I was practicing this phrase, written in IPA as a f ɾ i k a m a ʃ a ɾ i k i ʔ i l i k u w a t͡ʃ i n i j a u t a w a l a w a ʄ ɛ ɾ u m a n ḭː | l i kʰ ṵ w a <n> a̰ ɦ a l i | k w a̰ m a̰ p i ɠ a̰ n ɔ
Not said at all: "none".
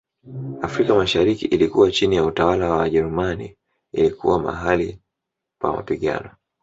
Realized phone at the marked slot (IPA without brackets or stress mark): m